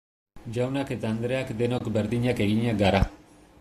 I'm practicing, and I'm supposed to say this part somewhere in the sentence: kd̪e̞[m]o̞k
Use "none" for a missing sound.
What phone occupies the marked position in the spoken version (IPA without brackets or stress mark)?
n